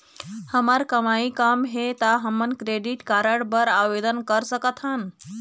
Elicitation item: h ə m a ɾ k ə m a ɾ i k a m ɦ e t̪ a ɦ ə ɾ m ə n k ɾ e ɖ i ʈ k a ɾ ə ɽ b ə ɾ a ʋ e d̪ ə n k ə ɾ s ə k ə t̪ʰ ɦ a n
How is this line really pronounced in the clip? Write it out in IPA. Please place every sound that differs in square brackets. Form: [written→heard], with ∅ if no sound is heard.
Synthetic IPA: h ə m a ɾ k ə m a [ɾ→∅] i k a m ɦ e t̪ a ɦ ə [ɾ→∅] m ə n k ɾ e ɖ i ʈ k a ɾ ə ɽ b ə ɾ a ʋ e d̪ ə n k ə ɾ s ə k ə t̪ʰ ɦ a n